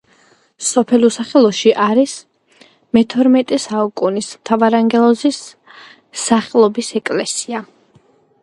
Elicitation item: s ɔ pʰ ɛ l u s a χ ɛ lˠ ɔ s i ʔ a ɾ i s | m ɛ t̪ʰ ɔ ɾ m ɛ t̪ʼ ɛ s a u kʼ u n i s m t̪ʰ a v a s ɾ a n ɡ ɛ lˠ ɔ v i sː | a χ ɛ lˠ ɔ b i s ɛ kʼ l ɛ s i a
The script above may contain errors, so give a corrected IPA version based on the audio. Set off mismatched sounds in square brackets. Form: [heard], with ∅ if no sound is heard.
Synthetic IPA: s ɔ pʰ ɛ l u s a χ ɛ lˠ ɔ [ʃ] i ʔ a ɾ i s | m ɛ t̪ʰ ɔ ɾ m ɛ t̪ʼ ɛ s a u kʼ u n i s m t̪ʰ a v a [∅] ɾ a [ŋ] ɡ ɛ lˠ ɔ [z] i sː | a χ ɛ lˠ ɔ b i s ɛ kʼ l ɛ s i a